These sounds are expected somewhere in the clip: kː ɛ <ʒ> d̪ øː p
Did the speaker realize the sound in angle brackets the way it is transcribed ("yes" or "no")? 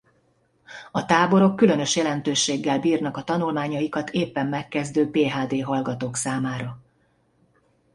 no